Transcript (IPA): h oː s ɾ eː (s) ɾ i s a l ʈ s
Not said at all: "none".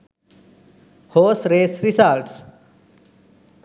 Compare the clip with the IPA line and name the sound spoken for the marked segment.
s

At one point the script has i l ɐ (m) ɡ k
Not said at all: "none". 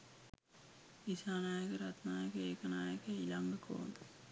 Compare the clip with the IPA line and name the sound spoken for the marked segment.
ŋ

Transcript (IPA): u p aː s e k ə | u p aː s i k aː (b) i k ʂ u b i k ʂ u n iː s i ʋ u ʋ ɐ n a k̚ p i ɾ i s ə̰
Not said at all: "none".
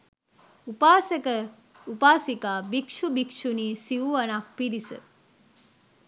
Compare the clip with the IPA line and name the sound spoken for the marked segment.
b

